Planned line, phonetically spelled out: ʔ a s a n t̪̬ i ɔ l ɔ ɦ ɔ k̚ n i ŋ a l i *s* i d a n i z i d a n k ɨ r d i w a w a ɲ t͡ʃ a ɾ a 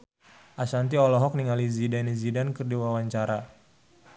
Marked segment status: incorrect: z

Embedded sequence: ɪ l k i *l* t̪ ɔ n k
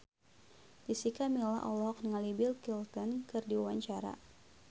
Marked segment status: correct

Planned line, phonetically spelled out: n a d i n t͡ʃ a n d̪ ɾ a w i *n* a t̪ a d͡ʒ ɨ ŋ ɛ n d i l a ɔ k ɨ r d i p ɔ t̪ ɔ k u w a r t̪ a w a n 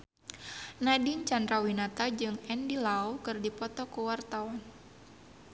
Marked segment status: correct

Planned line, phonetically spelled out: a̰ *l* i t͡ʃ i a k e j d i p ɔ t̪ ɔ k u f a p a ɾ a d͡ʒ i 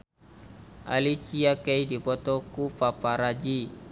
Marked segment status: correct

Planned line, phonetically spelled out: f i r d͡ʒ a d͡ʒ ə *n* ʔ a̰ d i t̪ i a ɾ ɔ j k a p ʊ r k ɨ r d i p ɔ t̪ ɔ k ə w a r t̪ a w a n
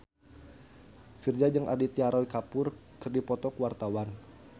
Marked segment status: incorrect: ŋ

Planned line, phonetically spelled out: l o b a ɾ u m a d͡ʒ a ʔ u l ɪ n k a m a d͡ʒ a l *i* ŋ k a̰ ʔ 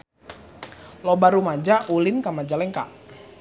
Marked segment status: incorrect: ɛ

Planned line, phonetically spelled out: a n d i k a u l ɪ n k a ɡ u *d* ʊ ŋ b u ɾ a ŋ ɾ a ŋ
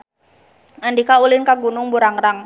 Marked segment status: incorrect: n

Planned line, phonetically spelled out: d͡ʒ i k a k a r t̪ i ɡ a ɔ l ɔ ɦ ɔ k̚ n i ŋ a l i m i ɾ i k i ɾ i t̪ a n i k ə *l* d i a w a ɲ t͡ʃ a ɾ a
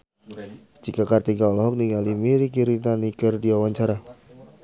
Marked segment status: incorrect: r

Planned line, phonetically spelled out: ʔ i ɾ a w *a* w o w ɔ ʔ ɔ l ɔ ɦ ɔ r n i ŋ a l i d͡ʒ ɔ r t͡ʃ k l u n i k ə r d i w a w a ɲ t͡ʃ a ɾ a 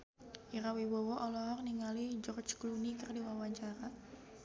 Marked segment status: incorrect: i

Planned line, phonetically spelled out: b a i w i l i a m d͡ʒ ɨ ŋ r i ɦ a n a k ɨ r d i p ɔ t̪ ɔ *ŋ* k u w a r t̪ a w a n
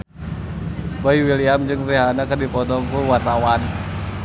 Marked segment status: correct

